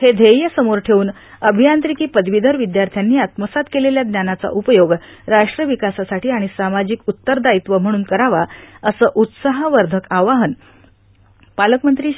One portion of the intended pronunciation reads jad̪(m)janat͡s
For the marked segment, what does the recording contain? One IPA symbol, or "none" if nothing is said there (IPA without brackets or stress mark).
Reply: n